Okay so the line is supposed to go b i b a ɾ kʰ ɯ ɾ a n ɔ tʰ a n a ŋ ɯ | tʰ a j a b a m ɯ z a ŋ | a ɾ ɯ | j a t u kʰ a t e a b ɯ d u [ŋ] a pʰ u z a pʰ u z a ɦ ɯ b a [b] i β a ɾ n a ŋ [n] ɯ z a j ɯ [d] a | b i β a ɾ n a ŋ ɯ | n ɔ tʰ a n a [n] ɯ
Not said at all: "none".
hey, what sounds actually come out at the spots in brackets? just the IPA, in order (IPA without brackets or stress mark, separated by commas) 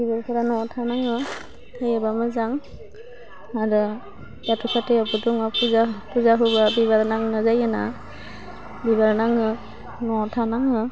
ŋ, b, n, n, ŋ